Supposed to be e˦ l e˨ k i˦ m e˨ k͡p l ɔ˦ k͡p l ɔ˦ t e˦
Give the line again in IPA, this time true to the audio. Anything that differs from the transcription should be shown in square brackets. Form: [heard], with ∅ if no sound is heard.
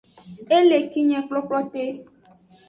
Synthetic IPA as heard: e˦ l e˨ k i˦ [ɲ] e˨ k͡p l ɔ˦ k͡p l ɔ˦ t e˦